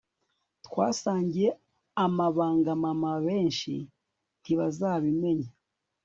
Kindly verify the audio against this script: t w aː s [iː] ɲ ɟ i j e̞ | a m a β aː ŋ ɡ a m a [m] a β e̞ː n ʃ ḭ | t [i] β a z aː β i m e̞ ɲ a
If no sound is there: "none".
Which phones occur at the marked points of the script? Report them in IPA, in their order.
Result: aː, m, i

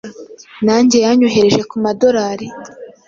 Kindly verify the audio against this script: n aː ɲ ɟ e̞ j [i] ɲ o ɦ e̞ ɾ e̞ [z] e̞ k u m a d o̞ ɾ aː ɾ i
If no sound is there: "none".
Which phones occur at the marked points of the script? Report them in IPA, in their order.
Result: a, ʒ

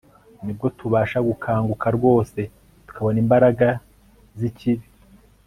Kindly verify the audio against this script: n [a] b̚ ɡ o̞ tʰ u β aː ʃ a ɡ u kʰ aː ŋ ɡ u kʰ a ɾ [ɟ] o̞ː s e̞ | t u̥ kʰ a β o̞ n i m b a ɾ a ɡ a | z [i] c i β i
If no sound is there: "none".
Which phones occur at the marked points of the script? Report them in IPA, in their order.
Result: i, ɡ, i

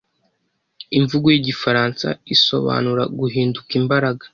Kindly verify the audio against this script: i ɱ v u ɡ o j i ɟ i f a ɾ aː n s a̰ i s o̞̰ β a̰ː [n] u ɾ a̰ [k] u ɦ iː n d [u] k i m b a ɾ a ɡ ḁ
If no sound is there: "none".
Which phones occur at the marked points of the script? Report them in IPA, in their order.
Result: n, ɡ, u

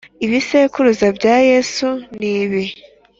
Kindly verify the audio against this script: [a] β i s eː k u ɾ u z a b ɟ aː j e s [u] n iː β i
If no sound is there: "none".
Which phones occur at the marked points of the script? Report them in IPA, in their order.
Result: i, u

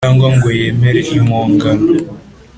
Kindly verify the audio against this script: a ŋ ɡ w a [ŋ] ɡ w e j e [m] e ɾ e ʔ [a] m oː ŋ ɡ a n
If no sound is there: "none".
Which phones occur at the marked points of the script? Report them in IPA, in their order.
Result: ŋ, m, i

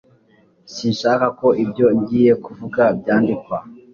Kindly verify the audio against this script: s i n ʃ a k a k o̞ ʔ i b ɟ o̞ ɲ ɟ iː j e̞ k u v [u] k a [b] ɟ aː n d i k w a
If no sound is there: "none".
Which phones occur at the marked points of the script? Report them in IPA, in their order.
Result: u, b

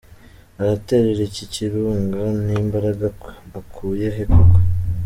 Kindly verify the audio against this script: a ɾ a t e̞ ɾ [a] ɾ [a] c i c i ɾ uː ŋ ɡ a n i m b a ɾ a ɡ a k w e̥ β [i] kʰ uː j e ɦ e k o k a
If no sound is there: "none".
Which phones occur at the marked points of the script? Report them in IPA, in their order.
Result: e, e, a

